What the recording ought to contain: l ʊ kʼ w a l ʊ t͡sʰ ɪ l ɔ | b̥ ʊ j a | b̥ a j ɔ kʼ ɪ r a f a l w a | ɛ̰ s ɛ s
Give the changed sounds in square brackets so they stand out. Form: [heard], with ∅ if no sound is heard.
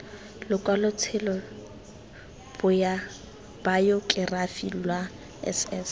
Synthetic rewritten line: l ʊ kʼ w a l ʊ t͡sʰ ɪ l ɔ | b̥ ʊ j a | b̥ a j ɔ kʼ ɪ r a f [i] l w a | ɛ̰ s ɛ s